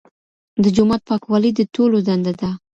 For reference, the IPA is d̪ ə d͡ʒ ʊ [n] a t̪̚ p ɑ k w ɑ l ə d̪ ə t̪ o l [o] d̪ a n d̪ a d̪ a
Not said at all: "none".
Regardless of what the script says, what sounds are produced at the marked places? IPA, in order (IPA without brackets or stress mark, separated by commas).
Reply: m, o